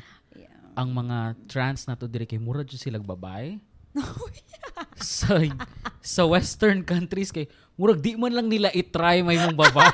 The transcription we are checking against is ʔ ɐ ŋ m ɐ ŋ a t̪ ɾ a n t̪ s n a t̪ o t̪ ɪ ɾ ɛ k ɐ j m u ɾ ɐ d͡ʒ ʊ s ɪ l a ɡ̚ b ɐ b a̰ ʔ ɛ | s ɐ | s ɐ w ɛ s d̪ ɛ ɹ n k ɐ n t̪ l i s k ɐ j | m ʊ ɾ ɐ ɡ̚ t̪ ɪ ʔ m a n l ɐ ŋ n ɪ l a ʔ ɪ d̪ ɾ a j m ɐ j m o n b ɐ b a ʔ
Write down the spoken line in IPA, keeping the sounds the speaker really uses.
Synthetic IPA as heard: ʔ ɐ ŋ m ɐ ŋ a t̪ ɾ a n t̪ s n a t̪ o d̪ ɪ ɾ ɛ k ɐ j m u ɾ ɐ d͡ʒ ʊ s ɪ l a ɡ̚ b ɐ b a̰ ʔ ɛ | s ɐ | s ɐ w ɛ s t̪ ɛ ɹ n k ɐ n t̪ ɾ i s k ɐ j | m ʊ ɾ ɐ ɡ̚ d̪ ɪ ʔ m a n l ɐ ŋ n ɪ l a ʔ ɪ t̪ ɾ a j m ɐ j m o ŋ b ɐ b a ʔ